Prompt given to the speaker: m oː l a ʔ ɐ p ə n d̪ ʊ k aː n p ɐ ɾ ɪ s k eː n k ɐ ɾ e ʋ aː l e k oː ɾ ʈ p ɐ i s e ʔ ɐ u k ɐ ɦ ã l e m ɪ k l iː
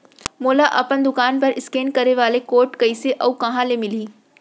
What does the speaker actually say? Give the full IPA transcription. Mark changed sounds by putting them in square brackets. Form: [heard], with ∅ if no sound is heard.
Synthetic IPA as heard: m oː l a ʔ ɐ p ə n d̪ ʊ k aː n p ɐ ɾ ɪ s k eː n k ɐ ɾ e ʋ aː l e k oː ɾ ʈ [k] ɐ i s e ʔ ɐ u k ɐ ɦ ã l e m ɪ [∅] l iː